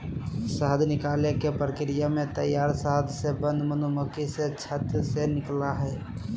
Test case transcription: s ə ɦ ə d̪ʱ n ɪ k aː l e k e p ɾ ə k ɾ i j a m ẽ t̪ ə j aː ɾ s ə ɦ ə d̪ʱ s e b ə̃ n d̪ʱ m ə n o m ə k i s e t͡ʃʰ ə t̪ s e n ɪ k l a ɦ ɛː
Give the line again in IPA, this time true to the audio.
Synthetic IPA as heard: s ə ɦ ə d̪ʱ n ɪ k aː l e k e p ɾ ə k ɾ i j a m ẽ t̪ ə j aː ɾ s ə ɦ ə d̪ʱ s e b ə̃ n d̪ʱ m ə n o m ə k i s e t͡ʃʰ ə t̪ s e n ɪ k l a ɦ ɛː